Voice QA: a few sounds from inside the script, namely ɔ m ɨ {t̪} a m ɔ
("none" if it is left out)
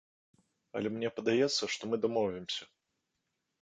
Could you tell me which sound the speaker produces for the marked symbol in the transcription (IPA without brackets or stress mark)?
d̪